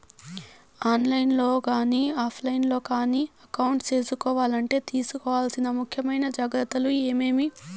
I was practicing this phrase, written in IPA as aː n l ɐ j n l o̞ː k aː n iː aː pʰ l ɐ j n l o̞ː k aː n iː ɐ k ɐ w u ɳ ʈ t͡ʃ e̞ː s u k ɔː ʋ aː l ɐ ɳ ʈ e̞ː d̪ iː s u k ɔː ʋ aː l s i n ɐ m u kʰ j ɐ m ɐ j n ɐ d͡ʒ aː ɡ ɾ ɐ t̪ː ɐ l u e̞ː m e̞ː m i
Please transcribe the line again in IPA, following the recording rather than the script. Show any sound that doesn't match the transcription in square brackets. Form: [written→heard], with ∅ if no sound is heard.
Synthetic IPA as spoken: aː n l ɐ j n l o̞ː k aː n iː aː pʰ l ɐ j n l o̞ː k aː n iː ɐ k ɐ w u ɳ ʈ t͡ʃ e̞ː s u k ɔː ʋ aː l ɐ ɳ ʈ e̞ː [d̪→t̪] iː s u k ɔː ʋ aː l s i n ɐ m u kʰ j ɐ m ɐ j n ɐ d͡ʒ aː ɡ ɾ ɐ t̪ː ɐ l u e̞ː m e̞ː m i